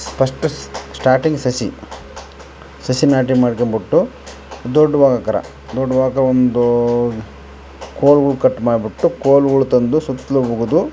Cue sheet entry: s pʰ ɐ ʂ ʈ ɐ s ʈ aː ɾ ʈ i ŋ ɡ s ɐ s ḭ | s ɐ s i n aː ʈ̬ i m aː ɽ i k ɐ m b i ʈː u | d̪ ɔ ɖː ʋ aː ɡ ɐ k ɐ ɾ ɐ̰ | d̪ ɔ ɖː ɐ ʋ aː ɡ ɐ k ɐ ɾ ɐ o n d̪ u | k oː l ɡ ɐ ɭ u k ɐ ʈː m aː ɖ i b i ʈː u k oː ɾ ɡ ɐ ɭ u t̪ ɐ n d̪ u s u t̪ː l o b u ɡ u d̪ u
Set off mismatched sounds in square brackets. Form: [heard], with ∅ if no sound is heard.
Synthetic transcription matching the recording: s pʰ ɐ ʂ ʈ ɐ s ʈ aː ɾ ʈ i ŋ ɡ s ɐ s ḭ | s ɐ s i n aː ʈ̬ i m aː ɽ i k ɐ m b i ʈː u | d̪ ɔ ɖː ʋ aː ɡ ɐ k ɐ ɾ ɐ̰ | d̪ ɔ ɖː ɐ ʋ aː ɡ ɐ k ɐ ɾ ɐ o n d̪ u | k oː l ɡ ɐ ɭ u k ɐ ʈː m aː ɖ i b i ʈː u k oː [l] ɡ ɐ ɭ u t̪ ɐ n d̪ u s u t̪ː l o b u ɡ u d̪ u